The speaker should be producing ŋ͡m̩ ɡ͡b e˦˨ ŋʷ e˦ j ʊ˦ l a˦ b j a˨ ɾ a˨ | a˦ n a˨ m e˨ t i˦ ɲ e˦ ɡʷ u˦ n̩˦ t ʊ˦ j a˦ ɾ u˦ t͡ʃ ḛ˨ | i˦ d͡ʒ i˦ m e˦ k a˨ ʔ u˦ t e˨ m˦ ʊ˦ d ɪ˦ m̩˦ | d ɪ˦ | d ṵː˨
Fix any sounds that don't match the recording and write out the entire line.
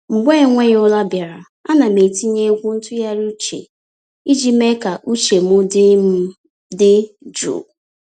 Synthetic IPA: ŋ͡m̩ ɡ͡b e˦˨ ŋʷ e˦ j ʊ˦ l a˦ b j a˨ ɾ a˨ | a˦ n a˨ m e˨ t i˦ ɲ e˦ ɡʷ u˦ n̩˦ t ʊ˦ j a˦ ɾ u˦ t͡ʃ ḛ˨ | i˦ d͡ʒ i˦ m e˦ k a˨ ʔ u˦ t͡ʃ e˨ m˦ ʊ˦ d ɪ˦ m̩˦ | d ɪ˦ | d͡ʒ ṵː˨